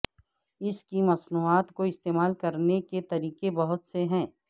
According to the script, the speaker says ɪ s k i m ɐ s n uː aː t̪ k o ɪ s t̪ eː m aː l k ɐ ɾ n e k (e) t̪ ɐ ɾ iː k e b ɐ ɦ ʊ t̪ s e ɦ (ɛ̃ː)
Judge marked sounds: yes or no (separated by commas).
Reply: yes, yes